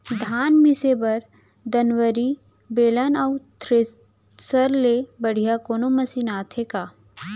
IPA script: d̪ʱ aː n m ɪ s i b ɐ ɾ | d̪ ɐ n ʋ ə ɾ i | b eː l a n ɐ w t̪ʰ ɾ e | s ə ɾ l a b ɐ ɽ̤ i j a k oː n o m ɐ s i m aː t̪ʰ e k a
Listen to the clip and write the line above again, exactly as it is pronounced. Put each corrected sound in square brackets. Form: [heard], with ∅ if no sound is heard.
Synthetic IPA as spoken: d̪ʱ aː n m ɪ s [e] b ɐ ɾ | d̪ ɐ n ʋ ə ɾ i | b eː l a n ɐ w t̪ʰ ɾ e | s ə ɾ l [e] b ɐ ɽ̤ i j a k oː n o m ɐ s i [n] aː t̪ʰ e k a